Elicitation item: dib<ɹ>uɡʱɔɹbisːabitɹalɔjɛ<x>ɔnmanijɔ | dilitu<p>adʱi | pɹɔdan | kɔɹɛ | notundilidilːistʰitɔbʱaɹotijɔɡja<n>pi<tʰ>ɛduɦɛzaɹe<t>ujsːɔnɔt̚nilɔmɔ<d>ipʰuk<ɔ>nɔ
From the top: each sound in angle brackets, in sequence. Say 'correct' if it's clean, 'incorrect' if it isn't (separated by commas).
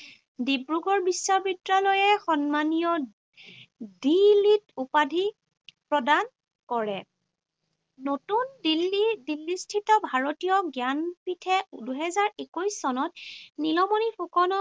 correct, correct, correct, correct, correct, incorrect, incorrect, correct